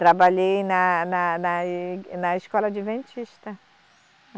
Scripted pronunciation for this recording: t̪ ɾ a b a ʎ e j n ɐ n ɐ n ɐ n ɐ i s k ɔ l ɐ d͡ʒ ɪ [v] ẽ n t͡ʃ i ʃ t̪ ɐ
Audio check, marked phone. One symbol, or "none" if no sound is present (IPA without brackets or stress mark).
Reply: v